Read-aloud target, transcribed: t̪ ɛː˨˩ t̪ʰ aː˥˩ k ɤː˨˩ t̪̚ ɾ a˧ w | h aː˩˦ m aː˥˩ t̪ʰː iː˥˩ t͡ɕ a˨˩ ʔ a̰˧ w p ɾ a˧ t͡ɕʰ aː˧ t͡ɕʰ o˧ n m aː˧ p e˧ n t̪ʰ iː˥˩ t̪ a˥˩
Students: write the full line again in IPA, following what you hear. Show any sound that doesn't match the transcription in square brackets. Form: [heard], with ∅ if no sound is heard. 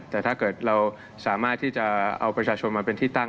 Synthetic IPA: t̪ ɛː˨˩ t̪ʰ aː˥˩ k ɤː˨˩ t̪̚ ɾ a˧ w | [s] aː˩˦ m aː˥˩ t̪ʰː iː˥˩ t͡ɕ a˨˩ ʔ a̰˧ w p ɾ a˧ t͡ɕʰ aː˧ t͡ɕʰ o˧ n m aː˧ p e˧ n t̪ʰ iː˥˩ t̪ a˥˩